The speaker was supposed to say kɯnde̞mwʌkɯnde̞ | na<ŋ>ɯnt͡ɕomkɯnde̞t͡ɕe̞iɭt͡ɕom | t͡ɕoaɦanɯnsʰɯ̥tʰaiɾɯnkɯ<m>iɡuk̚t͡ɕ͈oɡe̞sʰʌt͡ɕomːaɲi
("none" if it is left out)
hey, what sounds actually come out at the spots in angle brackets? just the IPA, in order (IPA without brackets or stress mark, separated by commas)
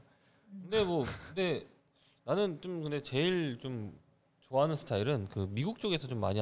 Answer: n, m